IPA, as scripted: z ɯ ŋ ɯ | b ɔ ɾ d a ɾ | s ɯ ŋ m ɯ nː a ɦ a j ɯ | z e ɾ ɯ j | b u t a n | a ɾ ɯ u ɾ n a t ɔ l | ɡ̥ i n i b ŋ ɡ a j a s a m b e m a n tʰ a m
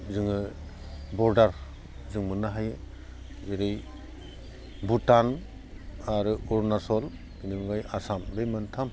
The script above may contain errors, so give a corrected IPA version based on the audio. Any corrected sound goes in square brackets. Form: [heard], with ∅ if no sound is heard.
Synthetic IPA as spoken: z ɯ ŋ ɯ | b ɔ ɾ d a ɾ | [z] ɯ ŋ m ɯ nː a ɦ a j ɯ | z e ɾ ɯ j | b u t a n | a ɾ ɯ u ɾ n a [s] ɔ l | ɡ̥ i n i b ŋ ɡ a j a s a m b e m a n tʰ a m